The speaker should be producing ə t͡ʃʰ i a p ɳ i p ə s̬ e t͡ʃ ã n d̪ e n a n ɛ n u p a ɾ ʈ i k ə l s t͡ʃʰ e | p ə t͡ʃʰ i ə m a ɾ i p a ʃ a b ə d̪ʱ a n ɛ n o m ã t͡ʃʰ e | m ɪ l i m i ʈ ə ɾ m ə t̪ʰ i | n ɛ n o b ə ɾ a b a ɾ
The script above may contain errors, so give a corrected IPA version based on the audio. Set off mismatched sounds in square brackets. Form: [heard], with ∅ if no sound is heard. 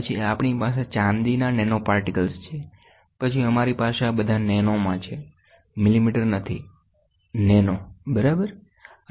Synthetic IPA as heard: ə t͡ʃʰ i a p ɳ i p [a] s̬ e t͡ʃ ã n d̪ [i] n a n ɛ n [o] p a ɾ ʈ i k ə l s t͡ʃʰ e | p ə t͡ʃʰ i ə m a ɾ i p a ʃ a b ə d̪ʱ a n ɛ n o m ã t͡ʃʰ e | m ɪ l i m i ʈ ə ɾ [n] ə t̪ʰ i | n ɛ n o b ə ɾ a b [ə] ɾ

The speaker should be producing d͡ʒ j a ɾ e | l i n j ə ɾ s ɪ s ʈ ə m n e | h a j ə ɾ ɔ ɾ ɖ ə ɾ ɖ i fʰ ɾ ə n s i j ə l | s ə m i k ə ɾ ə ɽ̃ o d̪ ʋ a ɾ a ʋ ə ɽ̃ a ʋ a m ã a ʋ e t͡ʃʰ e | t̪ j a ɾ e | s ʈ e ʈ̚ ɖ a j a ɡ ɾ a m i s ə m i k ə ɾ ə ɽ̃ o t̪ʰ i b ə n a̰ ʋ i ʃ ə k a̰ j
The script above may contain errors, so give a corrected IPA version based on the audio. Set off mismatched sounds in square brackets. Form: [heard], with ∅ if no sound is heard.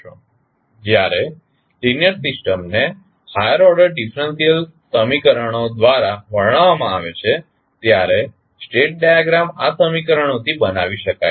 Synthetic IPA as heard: d͡ʒ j a ɾ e | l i n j ə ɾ s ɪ s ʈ ə m n e | h a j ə ɾ ɔ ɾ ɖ ə ɾ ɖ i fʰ ɾ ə n s i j ə l | s ə m i k ə ɾ ə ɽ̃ o d̪ ʋ a ɾ a ʋ ə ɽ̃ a ʋ a m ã a ʋ e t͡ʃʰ e | t̪ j a ɾ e | s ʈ e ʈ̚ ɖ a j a ɡ ɾ a m [a] s ə m i k ə ɾ ə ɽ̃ o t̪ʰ i b ə n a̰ ʋ i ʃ ə k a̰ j

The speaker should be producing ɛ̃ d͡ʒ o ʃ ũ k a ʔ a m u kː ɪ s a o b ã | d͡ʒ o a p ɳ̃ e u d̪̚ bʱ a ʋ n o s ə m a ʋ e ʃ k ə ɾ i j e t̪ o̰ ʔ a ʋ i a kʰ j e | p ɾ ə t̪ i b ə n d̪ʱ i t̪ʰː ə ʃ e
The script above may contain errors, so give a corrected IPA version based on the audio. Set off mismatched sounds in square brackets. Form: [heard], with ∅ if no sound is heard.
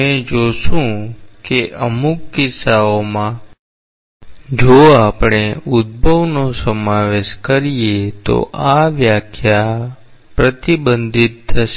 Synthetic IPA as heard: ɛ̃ d͡ʒ o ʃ ũ k [e] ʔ [ə] m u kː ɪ s a o [m] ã | d͡ʒ o a p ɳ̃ e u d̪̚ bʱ [ə] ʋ n o s ə m a ʋ e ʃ k ə ɾ i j e t̪ o̰ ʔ a ʋ [j] a kʰ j [a] | p ɾ ə t̪ i b ə n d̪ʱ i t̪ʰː ə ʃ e

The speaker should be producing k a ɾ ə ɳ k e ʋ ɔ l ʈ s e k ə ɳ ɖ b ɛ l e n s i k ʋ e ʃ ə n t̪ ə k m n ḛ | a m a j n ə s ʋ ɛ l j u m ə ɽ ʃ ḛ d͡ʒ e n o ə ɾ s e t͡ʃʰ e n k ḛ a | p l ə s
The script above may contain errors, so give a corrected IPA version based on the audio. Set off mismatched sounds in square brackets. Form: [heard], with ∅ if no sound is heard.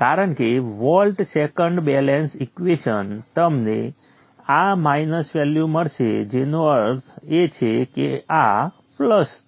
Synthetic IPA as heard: k a ɾ ə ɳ k e ʋ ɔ l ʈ s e k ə ɳ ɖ b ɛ l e n s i k ʋ e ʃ ə n t̪ ə [∅] m n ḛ | a m a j n ə s ʋ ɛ l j u m ə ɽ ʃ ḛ d͡ʒ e n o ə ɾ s e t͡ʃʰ e [∅] k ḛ a | p l ə s

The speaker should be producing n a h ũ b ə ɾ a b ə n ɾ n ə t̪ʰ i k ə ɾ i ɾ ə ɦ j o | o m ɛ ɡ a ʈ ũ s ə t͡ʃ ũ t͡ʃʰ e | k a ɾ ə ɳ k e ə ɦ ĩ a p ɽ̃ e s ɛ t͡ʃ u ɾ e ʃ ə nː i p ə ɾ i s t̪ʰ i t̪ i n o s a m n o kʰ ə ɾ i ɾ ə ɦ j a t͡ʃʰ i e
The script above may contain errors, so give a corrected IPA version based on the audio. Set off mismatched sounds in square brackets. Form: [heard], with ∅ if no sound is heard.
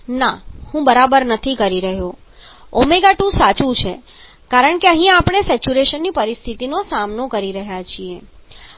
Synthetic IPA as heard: n a h ũ b ə ɾ a b ə [∅] ɾ n ə t̪ʰ i k ə ɾ i ɾ ə ɦ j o | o m [e] ɡ a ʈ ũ s [a] t͡ʃ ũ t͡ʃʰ e | k a ɾ ə ɳ k e ə ɦ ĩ a p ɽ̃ e s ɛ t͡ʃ u ɾ e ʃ ə nː i p ə ɾ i s t̪ʰ i t̪ i n o s a m n o [k] ə ɾ i ɾ ə ɦ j a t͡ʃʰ i e

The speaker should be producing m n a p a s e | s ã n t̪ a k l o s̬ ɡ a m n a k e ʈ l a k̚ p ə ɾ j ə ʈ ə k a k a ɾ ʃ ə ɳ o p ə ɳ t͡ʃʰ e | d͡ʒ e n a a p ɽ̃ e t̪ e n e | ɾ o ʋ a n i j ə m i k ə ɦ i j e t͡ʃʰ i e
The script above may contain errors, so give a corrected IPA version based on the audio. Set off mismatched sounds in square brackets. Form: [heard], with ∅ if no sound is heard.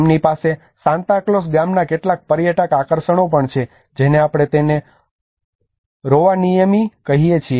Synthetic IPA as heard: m n [i] p a s e | s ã n t̪ a k l o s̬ ɡ a m n a k e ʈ l a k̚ p ə ɾ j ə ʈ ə k a k [ə] ɾ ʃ ə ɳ o p ə ɳ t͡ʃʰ e | d͡ʒ e n [e] a p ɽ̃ e t̪ e n e | ɾ o ʋ a n i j ə m i k ə ɦ i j e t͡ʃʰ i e

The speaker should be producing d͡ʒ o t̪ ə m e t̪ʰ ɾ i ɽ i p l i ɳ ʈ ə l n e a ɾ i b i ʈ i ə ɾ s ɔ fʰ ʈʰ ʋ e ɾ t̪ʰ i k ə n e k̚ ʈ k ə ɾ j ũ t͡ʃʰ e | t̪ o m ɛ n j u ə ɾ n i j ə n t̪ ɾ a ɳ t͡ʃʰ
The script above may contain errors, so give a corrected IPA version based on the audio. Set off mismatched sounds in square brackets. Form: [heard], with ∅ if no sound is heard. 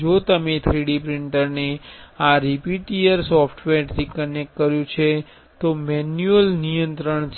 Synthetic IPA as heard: d͡ʒ o t̪ ə m e t̪ʰ ɾ i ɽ i p [ɾ] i ɳ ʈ ə [ɾ] n e a ɾ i [p] i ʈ i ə ɾ s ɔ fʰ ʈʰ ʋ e ɾ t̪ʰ i k ə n e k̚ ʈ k ə ɾ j ũ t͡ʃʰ e | t̪ o m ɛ n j u ə [l] n i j ə n t̪ ɾ [ə] ɳ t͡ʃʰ

